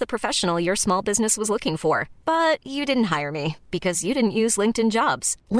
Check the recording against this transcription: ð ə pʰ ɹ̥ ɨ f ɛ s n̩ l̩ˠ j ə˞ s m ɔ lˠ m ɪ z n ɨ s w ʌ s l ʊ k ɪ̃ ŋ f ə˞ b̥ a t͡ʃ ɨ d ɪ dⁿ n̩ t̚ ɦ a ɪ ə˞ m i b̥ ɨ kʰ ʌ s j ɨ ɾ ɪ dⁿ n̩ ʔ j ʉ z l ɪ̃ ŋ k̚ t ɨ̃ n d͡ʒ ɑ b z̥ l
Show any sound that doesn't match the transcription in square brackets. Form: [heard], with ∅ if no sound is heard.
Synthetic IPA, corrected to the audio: ð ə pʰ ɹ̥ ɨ f ɛ [ʃ] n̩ l̩ˠ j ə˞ s m ɔ lˠ [b] ɪ z n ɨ s w ʌ [z] l ʊ k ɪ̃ ŋ f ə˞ b̥ [ʌ] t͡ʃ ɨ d ɪ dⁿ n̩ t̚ ɦ a ɪ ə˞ m i b̥ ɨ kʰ ʌ [z] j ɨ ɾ ɪ dⁿ n̩ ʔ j ʉ z l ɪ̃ ŋ k̚ t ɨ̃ n d͡ʒ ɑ b z̥ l